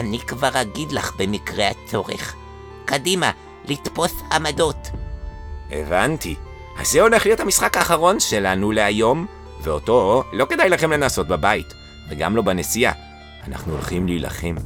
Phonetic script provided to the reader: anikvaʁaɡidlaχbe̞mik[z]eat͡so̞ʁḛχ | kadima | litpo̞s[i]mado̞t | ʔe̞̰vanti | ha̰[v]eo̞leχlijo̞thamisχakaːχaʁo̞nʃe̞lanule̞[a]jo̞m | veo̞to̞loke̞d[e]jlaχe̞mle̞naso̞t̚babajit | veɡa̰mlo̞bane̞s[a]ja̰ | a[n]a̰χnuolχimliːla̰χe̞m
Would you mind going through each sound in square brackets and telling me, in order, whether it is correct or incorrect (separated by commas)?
incorrect, incorrect, incorrect, correct, incorrect, incorrect, correct